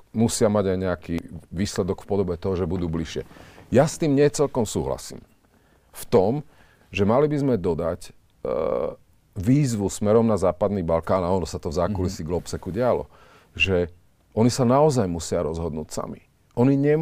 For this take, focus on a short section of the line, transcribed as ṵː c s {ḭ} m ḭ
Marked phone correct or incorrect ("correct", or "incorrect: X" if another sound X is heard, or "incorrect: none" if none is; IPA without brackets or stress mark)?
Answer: incorrect: a̰